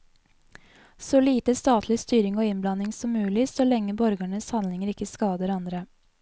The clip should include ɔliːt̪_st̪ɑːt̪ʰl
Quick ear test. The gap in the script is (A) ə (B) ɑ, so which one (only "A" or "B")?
A